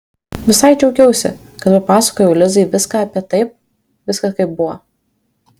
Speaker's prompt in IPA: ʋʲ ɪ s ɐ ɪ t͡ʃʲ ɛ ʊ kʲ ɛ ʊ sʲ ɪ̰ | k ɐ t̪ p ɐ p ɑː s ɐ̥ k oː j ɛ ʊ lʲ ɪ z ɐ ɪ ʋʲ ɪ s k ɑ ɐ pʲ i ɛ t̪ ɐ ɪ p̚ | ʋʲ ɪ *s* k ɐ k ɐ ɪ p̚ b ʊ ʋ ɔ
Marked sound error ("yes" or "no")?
no